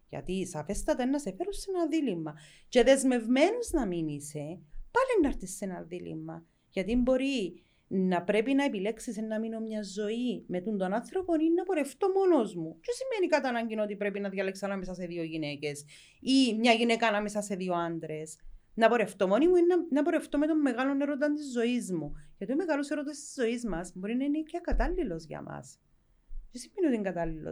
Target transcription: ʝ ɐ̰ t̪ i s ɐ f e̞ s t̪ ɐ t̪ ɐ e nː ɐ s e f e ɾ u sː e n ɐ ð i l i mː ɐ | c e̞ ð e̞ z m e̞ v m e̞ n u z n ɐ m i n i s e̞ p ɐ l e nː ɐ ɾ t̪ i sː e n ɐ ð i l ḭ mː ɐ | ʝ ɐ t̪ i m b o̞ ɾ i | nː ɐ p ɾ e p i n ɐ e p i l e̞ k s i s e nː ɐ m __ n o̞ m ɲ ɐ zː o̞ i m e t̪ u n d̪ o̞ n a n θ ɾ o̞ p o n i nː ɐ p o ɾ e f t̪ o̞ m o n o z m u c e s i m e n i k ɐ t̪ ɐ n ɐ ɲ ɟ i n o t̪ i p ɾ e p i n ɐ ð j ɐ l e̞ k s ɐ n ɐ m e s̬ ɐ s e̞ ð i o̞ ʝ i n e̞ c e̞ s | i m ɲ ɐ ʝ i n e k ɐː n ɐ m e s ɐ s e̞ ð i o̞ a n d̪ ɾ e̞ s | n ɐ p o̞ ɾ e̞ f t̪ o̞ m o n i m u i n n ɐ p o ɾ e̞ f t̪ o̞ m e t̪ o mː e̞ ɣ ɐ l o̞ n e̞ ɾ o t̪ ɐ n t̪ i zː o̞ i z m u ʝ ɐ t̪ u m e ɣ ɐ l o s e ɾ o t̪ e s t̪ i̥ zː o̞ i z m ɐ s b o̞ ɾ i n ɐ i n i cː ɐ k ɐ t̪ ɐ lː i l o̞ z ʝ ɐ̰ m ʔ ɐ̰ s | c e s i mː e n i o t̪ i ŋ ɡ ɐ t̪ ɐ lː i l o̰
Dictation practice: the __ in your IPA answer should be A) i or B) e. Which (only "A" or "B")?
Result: A